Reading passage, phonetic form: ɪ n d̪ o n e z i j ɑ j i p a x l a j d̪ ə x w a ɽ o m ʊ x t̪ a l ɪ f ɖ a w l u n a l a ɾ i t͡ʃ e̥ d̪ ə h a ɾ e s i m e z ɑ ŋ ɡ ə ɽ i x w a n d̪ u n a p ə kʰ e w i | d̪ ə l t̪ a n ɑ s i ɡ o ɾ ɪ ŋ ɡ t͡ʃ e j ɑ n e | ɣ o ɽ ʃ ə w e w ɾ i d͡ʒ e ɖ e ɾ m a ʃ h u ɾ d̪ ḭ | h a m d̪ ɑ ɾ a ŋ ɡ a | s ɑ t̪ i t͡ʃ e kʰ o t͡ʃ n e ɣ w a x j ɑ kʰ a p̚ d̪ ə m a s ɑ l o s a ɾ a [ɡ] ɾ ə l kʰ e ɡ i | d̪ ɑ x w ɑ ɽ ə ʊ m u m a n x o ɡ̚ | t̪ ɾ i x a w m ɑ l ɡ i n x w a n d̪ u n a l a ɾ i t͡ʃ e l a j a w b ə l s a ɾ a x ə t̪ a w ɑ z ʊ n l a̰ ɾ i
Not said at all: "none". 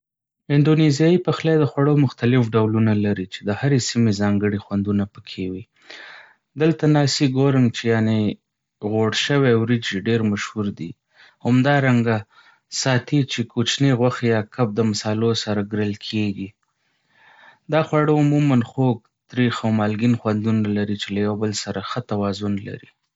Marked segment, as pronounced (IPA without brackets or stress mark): ɡ